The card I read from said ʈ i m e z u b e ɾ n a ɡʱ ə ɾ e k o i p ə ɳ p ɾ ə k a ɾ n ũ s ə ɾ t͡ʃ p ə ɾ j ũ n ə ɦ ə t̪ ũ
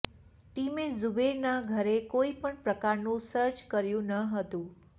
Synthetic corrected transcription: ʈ i m e z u b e ɾ n a ɡʱ ə ɾ e k o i p ə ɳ p ɾ ə k a ɾ n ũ s ə ɾ t͡ʃ k ə ɾ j ũ n ə ɦ ə t̪ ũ